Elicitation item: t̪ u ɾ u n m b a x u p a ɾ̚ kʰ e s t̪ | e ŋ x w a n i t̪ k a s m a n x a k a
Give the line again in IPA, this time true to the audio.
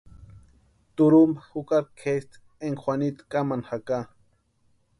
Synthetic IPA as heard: t̪ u ɾ u m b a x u k a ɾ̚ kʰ e s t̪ | e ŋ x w a n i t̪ k a m a n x a k a